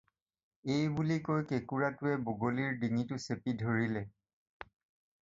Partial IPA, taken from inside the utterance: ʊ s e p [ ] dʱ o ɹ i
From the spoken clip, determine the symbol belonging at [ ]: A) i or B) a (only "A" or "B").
A